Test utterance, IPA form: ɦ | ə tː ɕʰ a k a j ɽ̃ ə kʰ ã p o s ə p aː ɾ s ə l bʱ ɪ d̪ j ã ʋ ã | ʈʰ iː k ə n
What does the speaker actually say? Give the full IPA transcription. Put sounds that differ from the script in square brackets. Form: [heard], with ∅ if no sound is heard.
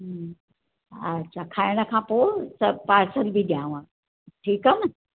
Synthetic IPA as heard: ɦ | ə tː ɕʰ a [kʰ] a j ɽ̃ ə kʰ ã p o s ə p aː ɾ s ə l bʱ [i] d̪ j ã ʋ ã | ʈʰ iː k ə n